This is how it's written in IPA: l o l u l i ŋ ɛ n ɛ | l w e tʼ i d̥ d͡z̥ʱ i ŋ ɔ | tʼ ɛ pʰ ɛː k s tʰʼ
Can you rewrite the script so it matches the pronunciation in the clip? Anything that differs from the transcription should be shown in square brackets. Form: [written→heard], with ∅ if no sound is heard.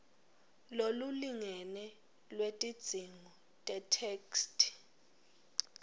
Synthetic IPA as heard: l o l u l i ŋ ɛ n ɛ | l w e tʼ i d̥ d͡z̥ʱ i ŋ ɔ | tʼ ɛ [pʰ→tʰ] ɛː k s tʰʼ